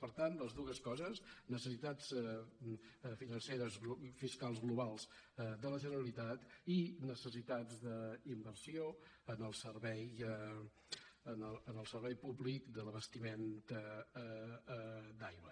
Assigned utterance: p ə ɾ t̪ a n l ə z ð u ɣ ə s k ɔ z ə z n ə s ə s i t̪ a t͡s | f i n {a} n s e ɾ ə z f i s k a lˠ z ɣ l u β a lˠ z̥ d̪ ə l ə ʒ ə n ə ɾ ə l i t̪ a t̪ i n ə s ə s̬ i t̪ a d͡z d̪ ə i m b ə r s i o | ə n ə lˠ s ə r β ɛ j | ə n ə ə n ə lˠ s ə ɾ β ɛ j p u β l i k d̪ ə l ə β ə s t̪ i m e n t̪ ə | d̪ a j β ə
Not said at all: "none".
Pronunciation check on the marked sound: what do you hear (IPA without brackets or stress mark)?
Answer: ə